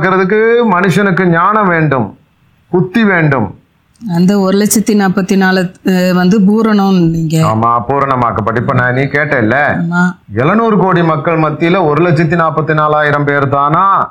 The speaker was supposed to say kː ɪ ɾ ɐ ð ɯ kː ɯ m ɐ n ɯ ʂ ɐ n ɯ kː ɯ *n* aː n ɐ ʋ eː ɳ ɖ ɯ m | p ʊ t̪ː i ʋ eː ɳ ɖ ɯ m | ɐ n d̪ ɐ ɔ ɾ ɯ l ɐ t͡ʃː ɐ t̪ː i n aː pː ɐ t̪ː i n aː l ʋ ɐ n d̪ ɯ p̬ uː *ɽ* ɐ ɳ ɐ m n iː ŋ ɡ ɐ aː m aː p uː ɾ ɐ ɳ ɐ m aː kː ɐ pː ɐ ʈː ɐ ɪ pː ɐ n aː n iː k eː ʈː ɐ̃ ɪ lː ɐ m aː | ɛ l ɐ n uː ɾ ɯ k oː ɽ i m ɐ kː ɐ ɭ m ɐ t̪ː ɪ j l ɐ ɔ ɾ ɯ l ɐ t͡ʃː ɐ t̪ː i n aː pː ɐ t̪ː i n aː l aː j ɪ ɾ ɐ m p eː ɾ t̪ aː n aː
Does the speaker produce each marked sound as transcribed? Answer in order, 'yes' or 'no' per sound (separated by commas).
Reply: no, no